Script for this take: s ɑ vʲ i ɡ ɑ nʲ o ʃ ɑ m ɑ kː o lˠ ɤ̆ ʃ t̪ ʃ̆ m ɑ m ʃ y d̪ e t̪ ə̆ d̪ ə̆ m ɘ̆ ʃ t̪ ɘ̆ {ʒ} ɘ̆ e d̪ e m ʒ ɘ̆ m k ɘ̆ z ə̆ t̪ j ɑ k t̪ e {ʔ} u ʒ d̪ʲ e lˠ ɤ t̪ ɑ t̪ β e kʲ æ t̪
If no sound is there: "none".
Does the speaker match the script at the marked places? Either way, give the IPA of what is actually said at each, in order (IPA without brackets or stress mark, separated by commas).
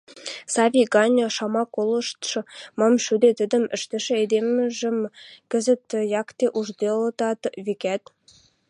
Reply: ʃ, ʔ